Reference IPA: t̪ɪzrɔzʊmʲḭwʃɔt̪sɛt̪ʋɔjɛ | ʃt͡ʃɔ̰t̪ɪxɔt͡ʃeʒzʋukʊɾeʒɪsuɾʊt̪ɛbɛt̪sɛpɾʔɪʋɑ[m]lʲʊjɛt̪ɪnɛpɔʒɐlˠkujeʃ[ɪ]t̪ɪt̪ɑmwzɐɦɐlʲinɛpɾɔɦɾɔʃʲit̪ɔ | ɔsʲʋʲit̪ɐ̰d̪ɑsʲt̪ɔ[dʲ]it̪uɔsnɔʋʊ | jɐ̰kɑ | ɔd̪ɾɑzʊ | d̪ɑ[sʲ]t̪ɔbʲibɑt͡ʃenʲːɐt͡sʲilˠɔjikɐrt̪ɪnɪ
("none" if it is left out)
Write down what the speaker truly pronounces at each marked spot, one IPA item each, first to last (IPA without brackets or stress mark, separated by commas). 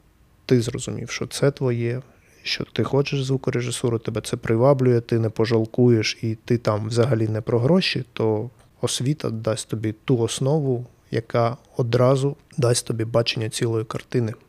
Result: b, i, bʲ, sʲ